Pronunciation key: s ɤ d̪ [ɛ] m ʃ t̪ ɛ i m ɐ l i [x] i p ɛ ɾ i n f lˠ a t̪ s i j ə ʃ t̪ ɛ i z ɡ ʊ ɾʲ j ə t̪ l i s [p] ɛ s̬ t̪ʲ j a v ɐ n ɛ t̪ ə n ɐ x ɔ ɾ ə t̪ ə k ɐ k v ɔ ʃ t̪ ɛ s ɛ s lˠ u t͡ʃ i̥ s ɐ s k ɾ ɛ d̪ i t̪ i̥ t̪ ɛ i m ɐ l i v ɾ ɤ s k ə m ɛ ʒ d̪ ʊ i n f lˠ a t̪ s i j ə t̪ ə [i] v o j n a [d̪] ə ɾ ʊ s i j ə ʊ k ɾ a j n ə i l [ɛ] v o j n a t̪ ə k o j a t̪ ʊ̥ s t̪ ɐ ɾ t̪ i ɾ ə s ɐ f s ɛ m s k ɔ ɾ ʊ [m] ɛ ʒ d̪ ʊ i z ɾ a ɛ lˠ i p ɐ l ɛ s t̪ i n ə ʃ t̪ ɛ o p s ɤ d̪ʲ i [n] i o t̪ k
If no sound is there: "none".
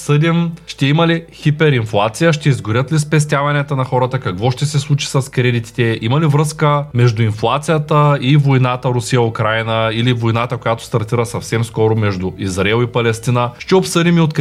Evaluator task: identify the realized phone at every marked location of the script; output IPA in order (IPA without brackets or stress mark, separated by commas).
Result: i, x, p, i, t̪, i, m, m